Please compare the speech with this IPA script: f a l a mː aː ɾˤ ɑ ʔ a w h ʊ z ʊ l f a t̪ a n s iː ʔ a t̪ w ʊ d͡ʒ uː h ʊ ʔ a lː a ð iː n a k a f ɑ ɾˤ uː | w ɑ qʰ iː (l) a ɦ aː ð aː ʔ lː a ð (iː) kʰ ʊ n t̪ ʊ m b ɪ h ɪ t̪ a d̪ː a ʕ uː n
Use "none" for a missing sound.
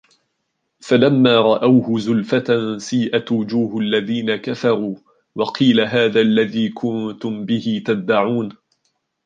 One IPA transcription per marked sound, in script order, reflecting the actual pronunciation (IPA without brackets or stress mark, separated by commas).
l, iː